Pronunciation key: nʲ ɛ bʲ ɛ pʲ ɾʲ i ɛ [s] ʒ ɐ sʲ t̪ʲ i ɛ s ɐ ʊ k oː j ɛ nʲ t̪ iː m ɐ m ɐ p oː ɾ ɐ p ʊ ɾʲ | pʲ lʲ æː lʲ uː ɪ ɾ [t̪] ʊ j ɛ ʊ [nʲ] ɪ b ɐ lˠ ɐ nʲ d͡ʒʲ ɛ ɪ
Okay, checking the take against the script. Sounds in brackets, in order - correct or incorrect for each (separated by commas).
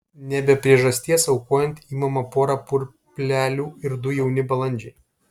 incorrect, incorrect, correct